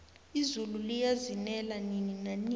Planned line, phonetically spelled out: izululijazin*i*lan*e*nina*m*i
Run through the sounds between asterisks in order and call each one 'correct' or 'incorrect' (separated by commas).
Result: incorrect, incorrect, incorrect